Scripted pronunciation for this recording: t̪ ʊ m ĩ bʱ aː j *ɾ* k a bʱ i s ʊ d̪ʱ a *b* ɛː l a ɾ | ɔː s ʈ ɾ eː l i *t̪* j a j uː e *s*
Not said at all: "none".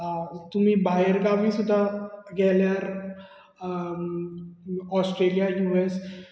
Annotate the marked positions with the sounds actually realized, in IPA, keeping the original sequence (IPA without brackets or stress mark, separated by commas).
ɾ, ɡ, none, s